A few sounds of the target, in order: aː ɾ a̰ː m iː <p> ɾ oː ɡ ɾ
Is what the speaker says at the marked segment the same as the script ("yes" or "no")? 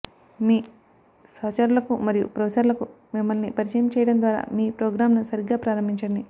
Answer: yes